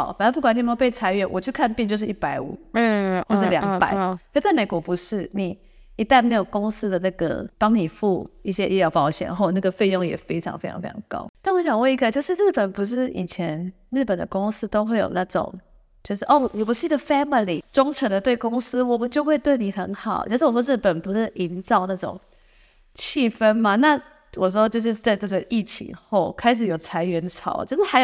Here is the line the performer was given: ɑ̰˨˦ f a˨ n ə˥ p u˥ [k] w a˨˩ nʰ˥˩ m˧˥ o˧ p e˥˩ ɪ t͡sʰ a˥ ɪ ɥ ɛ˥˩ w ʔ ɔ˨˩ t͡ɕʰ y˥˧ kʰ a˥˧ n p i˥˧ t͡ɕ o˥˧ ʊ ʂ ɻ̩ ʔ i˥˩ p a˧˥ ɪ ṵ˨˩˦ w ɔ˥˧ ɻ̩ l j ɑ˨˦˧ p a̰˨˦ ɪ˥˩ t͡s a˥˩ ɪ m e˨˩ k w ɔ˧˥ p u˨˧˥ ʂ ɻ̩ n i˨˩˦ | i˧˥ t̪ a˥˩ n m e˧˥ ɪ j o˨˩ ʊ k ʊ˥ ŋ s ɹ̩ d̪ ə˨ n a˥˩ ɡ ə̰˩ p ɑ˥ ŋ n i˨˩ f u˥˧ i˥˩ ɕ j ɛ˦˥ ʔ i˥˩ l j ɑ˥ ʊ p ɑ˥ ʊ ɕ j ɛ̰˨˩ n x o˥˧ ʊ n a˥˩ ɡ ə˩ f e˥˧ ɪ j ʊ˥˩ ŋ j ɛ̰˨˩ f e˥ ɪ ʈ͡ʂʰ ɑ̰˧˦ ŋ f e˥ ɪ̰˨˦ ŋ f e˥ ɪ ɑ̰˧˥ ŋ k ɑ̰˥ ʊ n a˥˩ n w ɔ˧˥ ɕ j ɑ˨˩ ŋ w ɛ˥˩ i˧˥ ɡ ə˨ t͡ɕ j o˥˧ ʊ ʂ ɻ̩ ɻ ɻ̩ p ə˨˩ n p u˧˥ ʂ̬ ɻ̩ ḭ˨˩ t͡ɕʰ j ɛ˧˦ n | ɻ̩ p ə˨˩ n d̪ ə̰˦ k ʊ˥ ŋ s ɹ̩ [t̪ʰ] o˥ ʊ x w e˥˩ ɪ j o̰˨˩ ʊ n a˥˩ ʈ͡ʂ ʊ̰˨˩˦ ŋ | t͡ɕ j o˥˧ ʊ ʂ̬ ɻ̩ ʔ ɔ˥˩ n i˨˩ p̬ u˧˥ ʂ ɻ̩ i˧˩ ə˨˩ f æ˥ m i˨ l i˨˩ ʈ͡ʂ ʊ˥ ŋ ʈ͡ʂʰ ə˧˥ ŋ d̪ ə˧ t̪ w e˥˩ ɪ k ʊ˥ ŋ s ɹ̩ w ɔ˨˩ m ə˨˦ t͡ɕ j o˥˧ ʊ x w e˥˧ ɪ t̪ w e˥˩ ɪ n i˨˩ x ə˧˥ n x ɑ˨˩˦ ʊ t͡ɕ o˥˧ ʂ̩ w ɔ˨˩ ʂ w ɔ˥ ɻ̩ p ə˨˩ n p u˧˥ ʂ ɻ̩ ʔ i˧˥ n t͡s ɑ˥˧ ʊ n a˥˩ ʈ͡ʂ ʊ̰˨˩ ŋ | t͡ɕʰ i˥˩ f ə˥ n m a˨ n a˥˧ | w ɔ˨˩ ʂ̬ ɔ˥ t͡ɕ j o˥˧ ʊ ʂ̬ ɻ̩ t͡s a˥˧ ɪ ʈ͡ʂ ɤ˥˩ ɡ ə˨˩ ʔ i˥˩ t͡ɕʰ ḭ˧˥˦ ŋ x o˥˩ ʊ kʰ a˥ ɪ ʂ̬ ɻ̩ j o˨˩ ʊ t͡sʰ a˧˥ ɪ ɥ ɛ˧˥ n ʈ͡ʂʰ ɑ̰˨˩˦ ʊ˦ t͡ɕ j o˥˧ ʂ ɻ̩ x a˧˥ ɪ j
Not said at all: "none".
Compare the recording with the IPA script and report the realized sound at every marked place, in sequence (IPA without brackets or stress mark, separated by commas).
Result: k, t̪